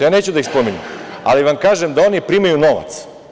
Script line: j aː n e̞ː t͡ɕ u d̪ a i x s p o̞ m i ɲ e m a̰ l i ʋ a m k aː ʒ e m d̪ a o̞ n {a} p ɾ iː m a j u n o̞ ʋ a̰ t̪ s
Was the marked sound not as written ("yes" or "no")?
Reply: yes